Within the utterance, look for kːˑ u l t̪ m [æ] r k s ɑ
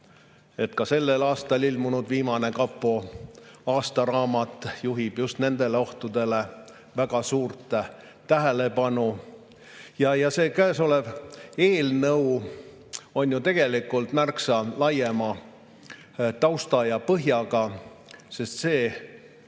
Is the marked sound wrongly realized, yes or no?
no